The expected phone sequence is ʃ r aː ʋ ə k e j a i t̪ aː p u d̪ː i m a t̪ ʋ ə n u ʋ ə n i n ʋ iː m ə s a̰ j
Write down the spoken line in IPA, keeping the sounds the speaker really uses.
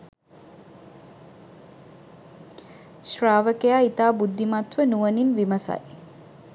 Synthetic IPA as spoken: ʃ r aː ʋ ə k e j a i t̪ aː b u d̪ː i m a t̪ ʋ ə n u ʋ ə n i n ʋ i m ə s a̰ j